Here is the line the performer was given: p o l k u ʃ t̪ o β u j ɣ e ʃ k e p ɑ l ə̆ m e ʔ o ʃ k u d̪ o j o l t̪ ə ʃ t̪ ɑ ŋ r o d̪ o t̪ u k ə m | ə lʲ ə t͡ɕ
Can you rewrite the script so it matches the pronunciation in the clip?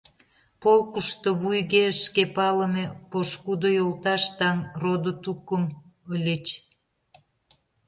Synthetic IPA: p o l k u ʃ t̪ o β u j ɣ e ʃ k e p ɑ l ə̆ m e p o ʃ k u d̪ o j o l t̪ ɑ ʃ t̪ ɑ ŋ r o d̪ o t̪ u k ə m | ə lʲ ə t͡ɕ